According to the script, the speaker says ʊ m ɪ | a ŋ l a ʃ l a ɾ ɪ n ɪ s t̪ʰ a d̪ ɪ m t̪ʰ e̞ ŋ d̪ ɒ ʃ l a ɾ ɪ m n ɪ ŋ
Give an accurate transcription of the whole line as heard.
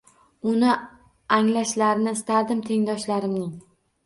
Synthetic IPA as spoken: ʊ n ɪ | a ŋ l a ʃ l a ɾ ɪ n ɪ s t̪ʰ a d̪ ɪ m t̪ʰ e̞ ŋ d̪ ɒ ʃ l a ɾ ɪ m n ɪ ŋ

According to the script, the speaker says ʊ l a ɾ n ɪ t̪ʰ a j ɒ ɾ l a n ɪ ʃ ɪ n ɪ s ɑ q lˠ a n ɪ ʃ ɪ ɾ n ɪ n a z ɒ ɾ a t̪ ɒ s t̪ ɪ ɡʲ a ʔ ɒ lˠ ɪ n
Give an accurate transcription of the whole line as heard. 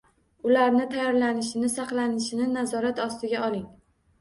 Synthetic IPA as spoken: ʊ l a ɾ n ɪ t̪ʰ a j ɒ ɾ l a n ɪ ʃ ɪ n ɪ s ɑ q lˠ a n ɪ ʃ ɪ n ɪ n a z ɒ ɾ a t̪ ɒ s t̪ ɪ ɡʲ a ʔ ɒ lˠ ɪ ŋ

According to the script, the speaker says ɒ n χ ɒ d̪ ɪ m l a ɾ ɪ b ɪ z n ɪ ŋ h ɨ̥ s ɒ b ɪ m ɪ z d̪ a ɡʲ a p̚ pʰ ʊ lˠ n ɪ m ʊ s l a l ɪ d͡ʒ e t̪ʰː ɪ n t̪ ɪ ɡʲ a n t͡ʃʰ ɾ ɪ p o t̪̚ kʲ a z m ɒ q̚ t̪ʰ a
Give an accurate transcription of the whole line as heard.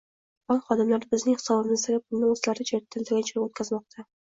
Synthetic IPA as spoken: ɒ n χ ɒ d̪ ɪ m l a ɾ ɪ b ɪ z n ɪ ŋ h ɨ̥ s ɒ b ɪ m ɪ z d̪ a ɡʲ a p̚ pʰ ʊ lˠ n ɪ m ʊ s l a ɾ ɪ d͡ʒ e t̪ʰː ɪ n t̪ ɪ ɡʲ a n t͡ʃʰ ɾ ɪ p o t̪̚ kʲ a z m ɒ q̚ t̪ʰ a

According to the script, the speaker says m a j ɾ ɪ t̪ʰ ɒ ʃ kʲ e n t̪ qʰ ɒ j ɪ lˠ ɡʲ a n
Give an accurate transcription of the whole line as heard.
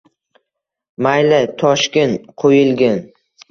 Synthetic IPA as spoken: m a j l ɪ t̪ʰ ɒ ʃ kʲ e n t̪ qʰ o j ɪ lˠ ɡʲ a n

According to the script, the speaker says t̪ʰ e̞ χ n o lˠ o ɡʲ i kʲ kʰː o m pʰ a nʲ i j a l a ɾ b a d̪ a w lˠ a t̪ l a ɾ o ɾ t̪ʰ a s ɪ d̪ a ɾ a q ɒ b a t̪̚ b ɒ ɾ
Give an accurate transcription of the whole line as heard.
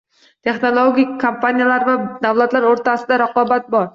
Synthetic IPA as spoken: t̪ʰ e̞ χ n o lˠ o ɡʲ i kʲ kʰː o m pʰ a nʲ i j a l a ɾ v a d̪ a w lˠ a t̪ l a ɾ o ɾ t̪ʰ a s ɪ d̪ a ɾ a q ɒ b a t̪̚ b ɒ ɾ

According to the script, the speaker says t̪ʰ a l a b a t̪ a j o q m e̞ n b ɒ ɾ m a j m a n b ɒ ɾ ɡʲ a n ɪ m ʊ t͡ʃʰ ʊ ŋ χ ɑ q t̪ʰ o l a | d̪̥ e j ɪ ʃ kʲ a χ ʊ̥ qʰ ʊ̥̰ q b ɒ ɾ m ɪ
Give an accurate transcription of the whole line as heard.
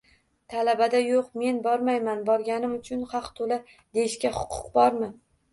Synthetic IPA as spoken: t̪ʰ a l a b a d̪ a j o q m e̞ n b ɒ ɾ m a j m a n b ɒ ɾ ɡʲ a n ɪ m ʊ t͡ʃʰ ʊ n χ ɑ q t̪ʰ o l a | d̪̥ e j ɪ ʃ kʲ a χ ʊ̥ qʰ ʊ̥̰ q b ɒ ɾ m ɪ

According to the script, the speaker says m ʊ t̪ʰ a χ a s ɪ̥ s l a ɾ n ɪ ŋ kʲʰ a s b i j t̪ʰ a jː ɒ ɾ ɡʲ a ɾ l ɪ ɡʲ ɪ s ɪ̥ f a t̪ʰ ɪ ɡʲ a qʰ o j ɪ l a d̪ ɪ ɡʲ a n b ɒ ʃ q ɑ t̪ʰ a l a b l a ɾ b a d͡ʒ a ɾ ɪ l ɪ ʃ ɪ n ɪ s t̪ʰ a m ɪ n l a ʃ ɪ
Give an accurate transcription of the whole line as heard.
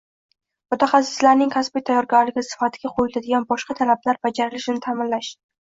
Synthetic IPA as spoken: m ʊ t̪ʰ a χ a s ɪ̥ s l a ɾ n ɪ ŋ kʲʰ a s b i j t̪ʰ a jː ɒ ɾ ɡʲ a ɾ l ɪ ɡʲ ɪ s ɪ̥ f a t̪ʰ ɪ ɡʲ a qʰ o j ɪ l a d̪ ɪ ɡʲ a n b ɒ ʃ q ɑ t̪ʰ a l a b l a ɾ b a d͡ʒ a ɾ ɪ l ɪ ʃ ɪ n ɪ t̪ʰ a m ɪ n l a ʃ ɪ

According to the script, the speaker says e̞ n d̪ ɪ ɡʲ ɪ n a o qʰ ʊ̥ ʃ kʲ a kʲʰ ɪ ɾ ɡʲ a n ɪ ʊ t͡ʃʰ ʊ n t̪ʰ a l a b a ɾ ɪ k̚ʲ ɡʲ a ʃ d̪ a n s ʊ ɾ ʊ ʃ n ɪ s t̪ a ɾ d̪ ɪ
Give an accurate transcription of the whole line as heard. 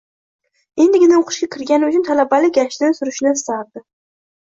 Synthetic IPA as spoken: e̞ n d̪ ɪ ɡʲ ɪ n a o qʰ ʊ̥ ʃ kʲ a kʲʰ ɪ ɾ ɡʲ a n ɪ ʊ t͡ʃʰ ʊ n t̪ʰ a l a b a l ɪ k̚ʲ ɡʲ a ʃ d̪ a n s ʊ ɾ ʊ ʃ n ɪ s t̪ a ɾ d̪ ɪ

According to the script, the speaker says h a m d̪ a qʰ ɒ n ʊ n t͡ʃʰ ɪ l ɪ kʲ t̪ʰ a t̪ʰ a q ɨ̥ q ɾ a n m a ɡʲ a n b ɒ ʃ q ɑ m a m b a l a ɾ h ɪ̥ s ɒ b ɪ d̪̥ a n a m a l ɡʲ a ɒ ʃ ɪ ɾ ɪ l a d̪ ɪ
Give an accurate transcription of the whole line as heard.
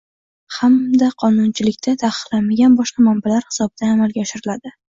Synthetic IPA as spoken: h a m d̪ a qʰ ɒ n ʊ n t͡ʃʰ ɪ l ɪ kʲ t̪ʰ a t̪ʰ a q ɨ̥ q l a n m a ɡʲ a n b ɒ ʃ q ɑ m a m b a l a ɾ h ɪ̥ s ɒ b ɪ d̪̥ a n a m a l ɡʲ a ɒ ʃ ɪ ɾ ɪ l a d̪ ɪ

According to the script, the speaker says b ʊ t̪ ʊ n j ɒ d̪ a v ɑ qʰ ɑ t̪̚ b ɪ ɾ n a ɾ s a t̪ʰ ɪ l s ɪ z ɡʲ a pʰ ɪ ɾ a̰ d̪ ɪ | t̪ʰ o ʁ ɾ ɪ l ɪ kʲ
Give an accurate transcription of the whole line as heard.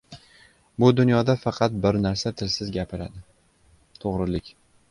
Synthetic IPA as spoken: b ʊ d̪ ʊ n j ɒ d̪ a f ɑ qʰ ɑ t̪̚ b ɪ ɾ n a ɾ s a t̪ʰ ɪ l s ɪ z ɡʲ a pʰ ɪ ɾ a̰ d̪ ɪ | t̪ʰ o ʁ ɾ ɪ l ɪ kʲ

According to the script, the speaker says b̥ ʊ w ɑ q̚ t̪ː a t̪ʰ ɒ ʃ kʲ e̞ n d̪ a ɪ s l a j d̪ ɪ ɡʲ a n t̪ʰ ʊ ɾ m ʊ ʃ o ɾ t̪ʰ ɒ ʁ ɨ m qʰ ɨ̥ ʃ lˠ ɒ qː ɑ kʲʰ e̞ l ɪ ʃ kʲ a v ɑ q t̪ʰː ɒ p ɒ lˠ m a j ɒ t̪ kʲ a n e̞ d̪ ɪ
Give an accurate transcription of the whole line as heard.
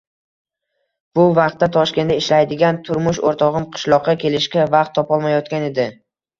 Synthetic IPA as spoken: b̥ ʊ v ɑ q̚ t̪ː a t̪ʰ ɒ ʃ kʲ e̞ n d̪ a ɪ ʃ l a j d̪ ɪ ɡʲ a n t̪ʰ ʊ ɾ m ʊ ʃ o ɾ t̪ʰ ɒ ʁ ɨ m qʰ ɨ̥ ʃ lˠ ɒ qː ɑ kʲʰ e̞ l ɪ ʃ kʲ a v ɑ q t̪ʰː ɒ p ɒ lˠ m a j ɒ t̪ kʲ a n e̞ d̪ ɪ

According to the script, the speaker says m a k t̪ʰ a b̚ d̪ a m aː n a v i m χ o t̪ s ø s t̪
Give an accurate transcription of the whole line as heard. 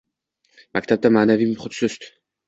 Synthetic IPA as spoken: m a k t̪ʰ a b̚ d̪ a m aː n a v i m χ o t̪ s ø s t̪

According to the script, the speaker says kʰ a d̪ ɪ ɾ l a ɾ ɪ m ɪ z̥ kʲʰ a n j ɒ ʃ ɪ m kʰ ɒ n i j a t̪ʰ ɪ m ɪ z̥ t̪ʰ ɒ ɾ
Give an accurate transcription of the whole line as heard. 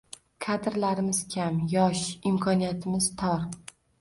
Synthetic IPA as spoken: kʰ a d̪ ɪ ɾ l a ɾ ɪ m ɪ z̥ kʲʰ a m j ɒ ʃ ɪ m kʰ ɒ n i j a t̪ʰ ɪ m ɪ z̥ t̪ʰ ɒ ɾ

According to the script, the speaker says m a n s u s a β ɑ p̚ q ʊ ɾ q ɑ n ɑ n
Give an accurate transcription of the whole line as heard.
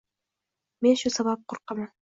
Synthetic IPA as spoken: m e n ʃ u s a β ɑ p̚ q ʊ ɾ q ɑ m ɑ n

